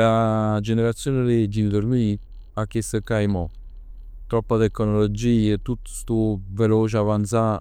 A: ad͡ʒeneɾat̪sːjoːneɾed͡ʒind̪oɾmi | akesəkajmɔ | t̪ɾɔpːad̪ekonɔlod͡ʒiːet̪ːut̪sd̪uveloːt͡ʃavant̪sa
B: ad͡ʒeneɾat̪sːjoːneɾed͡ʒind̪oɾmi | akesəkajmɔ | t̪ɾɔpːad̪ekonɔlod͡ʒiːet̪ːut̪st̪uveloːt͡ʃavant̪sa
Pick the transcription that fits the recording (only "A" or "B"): B